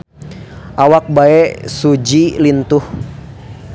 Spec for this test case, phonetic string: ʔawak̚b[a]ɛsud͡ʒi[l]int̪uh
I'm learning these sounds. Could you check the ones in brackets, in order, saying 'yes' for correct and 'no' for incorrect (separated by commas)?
yes, yes